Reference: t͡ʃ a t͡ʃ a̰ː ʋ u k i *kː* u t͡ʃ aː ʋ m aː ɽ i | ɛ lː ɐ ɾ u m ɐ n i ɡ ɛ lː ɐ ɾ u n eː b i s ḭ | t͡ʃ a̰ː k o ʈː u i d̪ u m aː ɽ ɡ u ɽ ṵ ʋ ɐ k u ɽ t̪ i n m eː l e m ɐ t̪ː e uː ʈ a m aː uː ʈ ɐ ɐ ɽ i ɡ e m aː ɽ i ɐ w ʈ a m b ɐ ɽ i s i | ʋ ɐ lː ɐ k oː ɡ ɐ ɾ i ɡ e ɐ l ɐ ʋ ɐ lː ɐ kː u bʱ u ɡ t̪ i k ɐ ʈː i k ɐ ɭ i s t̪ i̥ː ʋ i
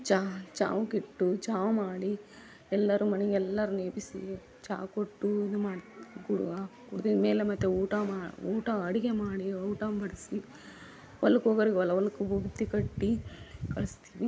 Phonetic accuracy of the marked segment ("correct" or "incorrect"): incorrect